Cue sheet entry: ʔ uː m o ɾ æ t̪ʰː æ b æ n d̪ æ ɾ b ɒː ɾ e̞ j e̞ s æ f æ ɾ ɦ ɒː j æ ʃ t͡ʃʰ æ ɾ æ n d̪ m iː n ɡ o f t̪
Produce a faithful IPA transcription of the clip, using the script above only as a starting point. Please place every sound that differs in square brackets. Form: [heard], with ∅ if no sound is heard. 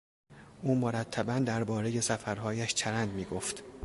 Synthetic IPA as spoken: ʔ uː m o ɾ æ t̪ʰː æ b æ n d̪ æ ɾ b ɒː ɾ e̞ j e̞ s æ f æ ɾ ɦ ɒː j æ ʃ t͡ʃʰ æ ɾ æ n d̪ m iː [∅] ɡ o f t̪